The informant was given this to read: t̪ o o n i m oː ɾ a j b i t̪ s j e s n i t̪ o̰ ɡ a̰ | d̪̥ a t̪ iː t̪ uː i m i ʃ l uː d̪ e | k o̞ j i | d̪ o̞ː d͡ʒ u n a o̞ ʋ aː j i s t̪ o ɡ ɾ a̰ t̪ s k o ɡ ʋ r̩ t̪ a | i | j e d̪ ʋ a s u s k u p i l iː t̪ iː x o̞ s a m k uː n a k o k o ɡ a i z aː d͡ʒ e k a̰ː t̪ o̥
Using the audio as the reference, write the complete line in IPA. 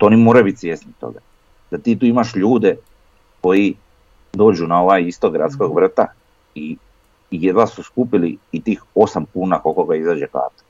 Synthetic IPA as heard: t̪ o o n i m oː ɾ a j b i t̪ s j e s n i t̪ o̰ ɡ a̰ | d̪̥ a t̪ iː t̪ uː i m a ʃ ʎ uː d̪ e | k o̞ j i | d̪ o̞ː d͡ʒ u n a o̞ ʋ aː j i s t̪ o ɡ ɾ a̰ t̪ s k o ɡ ʋ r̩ t̪ a | i | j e d̪ ʋ a s u s k u p i l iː t̪ iː x o̞ s a m k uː n a k o k o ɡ a i z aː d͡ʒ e k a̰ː t̪ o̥